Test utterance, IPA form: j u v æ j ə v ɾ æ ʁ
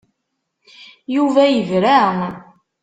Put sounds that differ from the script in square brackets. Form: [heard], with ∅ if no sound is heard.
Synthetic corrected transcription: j u v æ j ə v ɾ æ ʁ